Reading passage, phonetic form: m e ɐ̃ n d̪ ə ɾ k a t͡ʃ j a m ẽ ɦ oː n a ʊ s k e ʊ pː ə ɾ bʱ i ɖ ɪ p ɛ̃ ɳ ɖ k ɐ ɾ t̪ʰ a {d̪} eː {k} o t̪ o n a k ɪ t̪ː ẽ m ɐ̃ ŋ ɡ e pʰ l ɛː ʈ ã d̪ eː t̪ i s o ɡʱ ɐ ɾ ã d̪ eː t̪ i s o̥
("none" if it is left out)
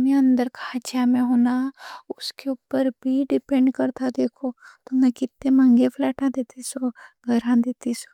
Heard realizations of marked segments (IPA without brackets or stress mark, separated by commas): d̪, kʰ